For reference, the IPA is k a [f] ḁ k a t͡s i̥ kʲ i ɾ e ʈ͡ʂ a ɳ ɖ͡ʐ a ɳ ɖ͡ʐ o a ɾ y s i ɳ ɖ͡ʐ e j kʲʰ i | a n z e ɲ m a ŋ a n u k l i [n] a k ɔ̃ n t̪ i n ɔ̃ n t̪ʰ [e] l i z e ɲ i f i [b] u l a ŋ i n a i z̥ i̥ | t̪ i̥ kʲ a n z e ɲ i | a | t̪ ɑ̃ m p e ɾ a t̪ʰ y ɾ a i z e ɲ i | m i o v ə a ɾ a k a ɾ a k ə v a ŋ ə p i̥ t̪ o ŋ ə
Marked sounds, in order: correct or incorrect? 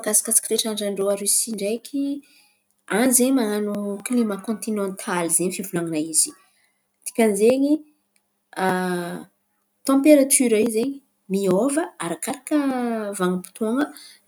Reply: incorrect: s, incorrect: m, incorrect: a, incorrect: v

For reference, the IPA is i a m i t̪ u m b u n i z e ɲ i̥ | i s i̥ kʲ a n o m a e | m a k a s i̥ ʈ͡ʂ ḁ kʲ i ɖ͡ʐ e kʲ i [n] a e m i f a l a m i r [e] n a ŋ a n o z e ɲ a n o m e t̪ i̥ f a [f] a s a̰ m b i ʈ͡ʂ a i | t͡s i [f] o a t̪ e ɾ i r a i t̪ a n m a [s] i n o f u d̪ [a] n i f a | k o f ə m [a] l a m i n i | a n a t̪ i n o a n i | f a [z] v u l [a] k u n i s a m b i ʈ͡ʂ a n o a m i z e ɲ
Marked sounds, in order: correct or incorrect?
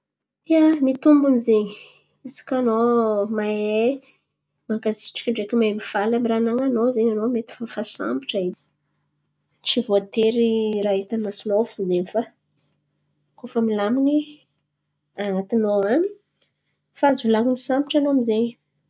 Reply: incorrect: m, incorrect: a, correct, incorrect: v, correct, incorrect: e, incorrect: i, correct, correct

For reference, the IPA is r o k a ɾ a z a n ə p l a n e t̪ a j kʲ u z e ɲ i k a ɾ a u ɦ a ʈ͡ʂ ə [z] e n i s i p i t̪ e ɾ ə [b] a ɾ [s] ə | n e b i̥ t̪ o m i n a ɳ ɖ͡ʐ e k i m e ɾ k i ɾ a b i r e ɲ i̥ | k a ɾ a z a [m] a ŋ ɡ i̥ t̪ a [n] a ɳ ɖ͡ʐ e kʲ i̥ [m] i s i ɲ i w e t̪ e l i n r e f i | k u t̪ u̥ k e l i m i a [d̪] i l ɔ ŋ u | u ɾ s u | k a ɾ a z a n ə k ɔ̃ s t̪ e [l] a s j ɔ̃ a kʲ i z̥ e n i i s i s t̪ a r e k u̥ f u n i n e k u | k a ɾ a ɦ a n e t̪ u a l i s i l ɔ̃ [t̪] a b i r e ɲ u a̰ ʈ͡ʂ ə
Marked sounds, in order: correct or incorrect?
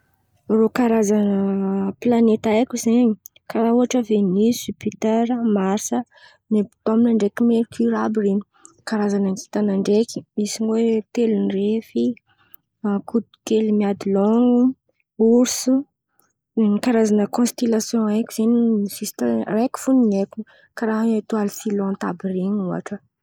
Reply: incorrect: v, incorrect: m, correct, incorrect: n, correct, correct, correct, correct, correct

